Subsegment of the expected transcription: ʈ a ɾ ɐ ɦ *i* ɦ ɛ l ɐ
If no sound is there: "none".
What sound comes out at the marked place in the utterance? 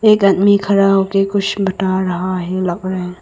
a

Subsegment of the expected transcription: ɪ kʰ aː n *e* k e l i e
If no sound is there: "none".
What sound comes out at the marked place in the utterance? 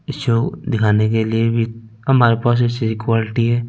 e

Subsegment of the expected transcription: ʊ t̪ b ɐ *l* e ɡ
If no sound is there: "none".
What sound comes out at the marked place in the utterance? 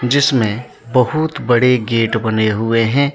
ɽ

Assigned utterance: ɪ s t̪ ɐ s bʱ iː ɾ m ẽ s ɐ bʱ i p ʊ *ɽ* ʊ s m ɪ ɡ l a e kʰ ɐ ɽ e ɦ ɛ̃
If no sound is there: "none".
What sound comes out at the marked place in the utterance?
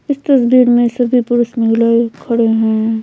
ɾ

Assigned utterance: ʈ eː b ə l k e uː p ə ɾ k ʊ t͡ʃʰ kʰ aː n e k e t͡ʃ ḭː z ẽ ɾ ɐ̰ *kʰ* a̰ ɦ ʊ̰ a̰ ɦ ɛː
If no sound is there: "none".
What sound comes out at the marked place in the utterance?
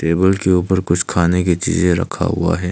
kʰ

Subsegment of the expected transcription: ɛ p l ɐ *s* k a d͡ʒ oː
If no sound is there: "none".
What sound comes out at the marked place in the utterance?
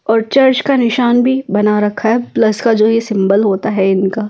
s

